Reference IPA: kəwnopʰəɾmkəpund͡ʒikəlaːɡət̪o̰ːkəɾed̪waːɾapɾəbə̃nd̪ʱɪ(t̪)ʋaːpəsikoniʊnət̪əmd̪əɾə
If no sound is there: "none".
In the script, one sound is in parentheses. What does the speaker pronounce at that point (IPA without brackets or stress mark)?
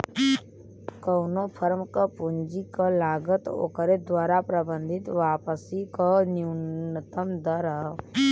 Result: t̪